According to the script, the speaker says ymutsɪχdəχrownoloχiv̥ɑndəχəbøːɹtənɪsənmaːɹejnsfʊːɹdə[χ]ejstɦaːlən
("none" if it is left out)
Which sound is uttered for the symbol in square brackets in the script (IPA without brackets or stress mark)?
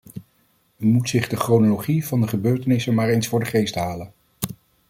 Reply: χ